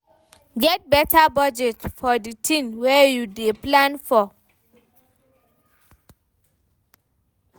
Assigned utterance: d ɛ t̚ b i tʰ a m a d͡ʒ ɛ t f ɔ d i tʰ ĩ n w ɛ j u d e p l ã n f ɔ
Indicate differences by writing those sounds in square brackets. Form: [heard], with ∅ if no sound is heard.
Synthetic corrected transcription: [ɡ] ɛ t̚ b [ɛ] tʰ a [b] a d͡ʒ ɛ t f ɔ d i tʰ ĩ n w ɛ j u d e p l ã n f ɔ